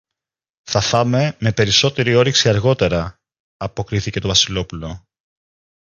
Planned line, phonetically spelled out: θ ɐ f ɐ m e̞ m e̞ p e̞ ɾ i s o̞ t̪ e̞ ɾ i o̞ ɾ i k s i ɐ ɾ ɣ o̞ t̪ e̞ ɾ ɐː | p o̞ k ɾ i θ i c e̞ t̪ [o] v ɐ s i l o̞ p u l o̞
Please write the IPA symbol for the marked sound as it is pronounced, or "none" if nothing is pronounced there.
o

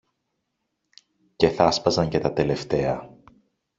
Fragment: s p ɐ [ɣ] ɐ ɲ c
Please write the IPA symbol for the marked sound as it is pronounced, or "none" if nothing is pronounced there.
z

